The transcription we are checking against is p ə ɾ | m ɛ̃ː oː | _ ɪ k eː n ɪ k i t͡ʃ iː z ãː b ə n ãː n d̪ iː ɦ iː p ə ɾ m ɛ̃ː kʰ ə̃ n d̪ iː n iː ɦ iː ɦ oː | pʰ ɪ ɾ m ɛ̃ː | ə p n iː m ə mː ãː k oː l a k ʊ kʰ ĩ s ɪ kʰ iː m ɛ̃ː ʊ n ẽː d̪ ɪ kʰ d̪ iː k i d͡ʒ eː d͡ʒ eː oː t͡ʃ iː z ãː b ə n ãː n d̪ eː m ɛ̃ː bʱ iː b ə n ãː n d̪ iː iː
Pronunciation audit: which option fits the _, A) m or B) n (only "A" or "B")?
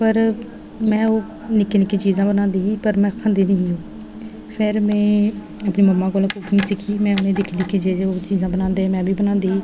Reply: B